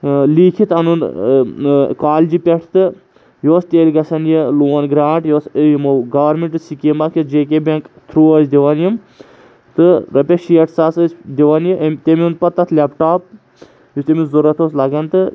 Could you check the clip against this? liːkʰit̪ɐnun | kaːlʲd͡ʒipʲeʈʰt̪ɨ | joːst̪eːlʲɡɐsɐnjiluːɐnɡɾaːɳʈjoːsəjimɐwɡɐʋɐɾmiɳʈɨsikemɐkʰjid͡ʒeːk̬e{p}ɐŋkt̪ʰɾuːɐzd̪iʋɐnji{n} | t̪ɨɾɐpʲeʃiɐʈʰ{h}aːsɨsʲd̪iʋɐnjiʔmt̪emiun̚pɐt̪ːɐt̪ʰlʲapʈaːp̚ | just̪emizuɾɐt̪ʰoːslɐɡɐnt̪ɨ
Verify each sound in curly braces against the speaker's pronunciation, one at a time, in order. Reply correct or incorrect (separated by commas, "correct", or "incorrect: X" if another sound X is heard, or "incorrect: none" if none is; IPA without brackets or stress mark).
incorrect: b, incorrect: m, incorrect: s